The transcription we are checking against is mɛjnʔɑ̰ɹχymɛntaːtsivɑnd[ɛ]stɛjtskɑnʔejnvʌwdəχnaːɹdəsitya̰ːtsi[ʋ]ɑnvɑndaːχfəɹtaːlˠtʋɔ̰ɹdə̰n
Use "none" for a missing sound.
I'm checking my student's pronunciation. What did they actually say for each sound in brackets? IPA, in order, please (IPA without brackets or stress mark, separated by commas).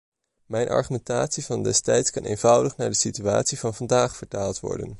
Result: ɛ, v